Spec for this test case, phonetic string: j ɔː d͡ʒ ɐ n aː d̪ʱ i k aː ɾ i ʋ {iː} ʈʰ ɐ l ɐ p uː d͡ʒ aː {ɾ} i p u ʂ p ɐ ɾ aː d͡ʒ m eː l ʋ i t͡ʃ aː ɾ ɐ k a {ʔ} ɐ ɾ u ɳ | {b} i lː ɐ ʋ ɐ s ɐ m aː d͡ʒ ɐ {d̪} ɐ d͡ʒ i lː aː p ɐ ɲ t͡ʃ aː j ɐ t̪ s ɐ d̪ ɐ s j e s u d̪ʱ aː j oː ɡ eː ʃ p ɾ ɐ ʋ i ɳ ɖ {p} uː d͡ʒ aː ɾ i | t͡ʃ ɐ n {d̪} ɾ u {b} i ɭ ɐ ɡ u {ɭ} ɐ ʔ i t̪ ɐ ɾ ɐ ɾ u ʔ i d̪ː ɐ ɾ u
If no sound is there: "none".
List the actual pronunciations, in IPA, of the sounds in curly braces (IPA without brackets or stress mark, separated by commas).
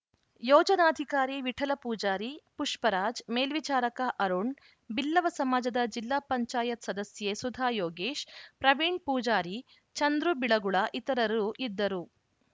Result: i, ɾ, ʔ, b, d̪, p, d̪, b, ɭ